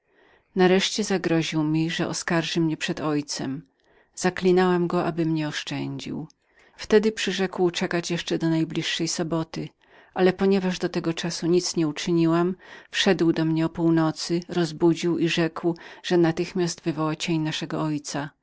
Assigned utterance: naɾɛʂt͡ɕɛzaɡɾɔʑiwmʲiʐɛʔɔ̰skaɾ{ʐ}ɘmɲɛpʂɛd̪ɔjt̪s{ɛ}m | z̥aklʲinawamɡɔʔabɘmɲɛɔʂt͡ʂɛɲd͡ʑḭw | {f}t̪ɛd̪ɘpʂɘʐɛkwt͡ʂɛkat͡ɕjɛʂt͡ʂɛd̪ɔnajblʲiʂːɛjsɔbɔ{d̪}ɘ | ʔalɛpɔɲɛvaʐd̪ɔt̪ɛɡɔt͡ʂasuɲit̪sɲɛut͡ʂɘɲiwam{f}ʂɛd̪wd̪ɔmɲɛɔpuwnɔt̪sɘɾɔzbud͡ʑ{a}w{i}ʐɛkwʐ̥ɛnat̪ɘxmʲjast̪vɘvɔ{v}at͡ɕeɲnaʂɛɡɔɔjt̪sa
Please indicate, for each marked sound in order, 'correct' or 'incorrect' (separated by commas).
correct, correct, correct, incorrect, correct, incorrect, correct, incorrect